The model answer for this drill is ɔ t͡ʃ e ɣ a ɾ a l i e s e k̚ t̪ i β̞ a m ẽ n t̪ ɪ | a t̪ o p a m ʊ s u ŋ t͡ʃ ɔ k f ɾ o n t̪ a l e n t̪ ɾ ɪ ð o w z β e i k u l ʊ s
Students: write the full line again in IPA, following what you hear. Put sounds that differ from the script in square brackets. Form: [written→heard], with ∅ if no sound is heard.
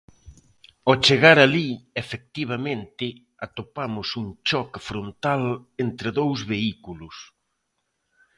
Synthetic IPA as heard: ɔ t͡ʃ e ɣ a ɾ a l i e [s→f] e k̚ t̪ i β̞ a m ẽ n t̪ ɪ | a t̪ o p a m ʊ s u ŋ t͡ʃ ɔ k f ɾ o n t̪ a l e n t̪ ɾ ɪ ð o w z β e i k u l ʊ s